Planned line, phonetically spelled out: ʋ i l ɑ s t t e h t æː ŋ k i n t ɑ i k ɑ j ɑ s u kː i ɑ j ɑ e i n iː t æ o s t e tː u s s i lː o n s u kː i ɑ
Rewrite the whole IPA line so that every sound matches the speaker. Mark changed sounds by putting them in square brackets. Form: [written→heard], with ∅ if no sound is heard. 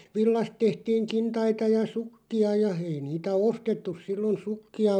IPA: ʋ i [l→lː] ɑ s t t e h t [æː→iː] ŋ k i n t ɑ i [k→t] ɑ j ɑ s u kː i ɑ j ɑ e i n iː t æ o s t e tː u s s i lː o n s u kː i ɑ